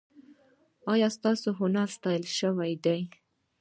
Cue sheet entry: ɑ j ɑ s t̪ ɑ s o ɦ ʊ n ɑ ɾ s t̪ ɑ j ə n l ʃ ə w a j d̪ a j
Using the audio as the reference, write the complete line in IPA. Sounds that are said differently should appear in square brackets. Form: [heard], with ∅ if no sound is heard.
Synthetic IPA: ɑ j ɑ s t̪ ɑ s o ɦ ʊ n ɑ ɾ s t̪ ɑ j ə [∅] l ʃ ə w a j d̪ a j